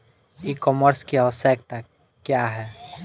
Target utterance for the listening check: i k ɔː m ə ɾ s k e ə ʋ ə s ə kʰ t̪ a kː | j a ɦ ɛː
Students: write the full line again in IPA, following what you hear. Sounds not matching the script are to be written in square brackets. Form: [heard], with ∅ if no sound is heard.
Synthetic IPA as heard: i k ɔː m ə ɾ s k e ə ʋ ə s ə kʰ t̪ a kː | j a ɦ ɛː